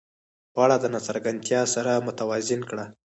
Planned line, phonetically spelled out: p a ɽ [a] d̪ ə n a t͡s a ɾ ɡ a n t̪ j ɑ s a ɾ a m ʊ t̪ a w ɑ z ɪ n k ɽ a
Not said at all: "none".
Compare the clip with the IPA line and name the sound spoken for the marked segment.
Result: a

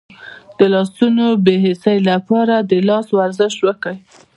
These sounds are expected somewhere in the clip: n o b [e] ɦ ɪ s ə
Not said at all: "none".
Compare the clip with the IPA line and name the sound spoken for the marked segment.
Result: e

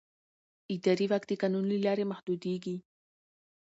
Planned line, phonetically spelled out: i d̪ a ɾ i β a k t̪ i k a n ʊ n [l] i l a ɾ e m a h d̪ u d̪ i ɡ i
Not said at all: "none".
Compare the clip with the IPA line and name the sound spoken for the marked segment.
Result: l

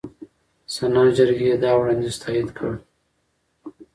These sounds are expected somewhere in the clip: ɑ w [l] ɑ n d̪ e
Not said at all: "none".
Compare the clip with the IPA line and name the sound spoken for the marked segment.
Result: ɽ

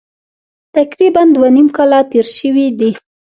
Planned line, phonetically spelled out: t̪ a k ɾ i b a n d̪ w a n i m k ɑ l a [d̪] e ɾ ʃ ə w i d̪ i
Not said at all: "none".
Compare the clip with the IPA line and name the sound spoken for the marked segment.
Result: t̪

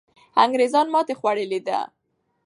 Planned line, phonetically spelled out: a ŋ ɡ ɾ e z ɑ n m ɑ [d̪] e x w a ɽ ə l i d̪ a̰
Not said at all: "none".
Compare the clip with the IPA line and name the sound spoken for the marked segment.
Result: t̪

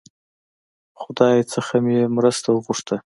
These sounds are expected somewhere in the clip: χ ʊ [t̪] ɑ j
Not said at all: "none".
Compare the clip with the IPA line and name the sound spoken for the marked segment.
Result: d̪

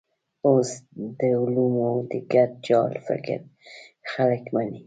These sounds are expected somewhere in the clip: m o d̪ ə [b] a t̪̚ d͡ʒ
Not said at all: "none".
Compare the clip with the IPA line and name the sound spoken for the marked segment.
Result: ɡ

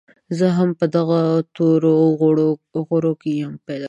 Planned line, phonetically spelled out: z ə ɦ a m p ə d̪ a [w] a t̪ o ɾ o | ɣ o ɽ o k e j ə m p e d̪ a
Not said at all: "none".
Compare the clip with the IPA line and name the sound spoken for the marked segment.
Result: ɣ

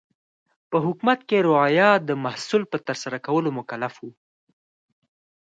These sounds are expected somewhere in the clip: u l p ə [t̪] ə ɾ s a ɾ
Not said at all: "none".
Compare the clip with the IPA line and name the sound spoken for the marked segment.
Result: t̪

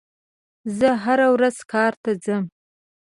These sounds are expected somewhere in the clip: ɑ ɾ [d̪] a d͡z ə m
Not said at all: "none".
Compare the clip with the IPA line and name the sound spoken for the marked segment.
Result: t̪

